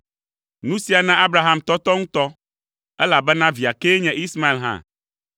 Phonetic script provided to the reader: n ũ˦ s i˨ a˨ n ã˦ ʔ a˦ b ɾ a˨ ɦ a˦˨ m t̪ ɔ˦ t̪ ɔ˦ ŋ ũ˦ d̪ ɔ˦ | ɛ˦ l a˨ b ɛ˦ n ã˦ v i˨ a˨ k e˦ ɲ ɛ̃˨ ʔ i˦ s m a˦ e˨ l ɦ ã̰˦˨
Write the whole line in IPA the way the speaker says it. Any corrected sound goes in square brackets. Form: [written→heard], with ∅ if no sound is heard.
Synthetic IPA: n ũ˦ s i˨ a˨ n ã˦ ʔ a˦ b ɾ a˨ ɦ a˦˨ m t̪ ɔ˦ t̪ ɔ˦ ŋ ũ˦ [d̪→t̪] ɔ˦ | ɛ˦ l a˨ b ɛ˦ n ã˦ v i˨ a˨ k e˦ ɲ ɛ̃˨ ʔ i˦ s m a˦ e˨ l ɦ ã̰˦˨

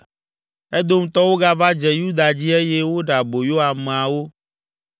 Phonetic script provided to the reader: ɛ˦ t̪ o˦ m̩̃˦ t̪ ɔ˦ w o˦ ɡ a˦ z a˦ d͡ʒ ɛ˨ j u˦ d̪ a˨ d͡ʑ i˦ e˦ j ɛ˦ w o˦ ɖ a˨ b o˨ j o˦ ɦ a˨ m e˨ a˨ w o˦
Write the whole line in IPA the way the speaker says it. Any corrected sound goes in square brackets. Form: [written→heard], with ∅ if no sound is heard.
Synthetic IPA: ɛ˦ [t̪→d̪] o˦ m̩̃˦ t̪ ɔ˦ w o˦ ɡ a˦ [z→v] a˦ d͡ʒ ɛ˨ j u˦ d̪ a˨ d͡ʑ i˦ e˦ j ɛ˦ w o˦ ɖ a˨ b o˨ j o˦ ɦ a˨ m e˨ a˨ w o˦

